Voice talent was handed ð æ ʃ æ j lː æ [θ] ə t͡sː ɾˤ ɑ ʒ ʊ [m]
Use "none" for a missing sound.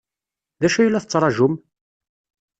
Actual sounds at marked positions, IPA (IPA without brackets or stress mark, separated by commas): θ, m